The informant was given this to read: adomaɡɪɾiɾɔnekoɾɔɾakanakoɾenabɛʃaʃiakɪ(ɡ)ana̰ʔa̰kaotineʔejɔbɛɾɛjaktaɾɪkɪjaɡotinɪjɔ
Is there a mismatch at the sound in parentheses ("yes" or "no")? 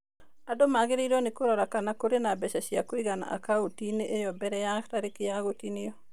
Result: no